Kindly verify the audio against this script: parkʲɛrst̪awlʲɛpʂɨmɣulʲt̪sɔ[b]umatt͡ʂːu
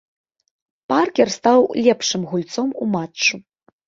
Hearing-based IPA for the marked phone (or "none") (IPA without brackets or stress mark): m